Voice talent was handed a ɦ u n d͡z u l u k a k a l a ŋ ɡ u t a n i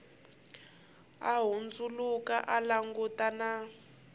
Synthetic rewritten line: a ɦ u n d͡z u l u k a ʔ a l a ŋ ɡ u t a n a